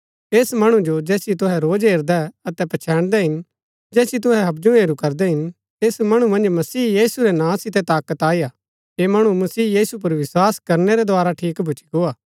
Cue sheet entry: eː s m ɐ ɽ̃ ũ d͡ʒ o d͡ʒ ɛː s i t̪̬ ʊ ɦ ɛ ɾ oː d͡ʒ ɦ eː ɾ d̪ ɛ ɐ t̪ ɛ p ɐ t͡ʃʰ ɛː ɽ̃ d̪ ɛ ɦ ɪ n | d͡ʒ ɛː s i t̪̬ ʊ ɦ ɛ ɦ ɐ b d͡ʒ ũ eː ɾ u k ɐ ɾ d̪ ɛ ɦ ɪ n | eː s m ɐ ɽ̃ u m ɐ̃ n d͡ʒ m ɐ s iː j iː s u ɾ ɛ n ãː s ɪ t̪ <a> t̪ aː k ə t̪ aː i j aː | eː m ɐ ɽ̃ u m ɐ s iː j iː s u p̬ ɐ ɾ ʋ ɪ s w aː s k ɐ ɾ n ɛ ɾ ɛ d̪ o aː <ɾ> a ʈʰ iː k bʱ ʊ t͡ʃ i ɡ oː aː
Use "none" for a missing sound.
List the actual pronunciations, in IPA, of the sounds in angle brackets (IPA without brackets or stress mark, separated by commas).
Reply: ɛ, ɾ